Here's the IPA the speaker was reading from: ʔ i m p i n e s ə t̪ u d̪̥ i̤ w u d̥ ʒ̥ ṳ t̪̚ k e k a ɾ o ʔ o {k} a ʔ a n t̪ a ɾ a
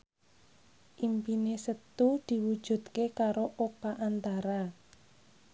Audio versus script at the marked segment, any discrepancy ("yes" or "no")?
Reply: yes